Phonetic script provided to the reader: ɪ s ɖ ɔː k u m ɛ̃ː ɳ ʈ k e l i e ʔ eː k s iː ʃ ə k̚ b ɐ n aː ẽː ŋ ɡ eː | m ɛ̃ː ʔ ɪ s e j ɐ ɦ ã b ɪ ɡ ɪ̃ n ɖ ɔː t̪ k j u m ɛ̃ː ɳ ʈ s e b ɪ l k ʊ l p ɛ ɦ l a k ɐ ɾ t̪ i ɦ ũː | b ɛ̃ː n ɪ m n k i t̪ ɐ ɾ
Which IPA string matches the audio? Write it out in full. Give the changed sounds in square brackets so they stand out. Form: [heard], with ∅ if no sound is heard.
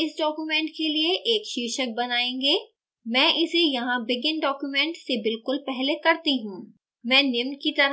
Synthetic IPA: ɪ s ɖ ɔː k u m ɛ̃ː ɳ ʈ k e l i e ʔ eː k [ʃ] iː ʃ ə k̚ b ɐ n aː ẽː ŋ ɡ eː | m ɛ̃ː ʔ ɪ s e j ɐ ɦ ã b ɪ ɡ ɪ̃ n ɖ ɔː [∅] k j u m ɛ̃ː ɳ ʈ s e b ɪ l k ʊ l p ɛ ɦ l [e] k ɐ ɾ t̪ i ɦ ũː | [m] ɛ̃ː n ɪ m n k i t̪ ɐ ɾ